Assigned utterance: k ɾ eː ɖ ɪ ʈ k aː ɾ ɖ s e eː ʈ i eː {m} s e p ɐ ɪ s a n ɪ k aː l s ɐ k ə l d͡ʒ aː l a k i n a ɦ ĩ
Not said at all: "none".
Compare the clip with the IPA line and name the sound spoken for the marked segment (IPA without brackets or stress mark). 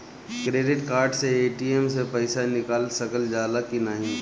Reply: m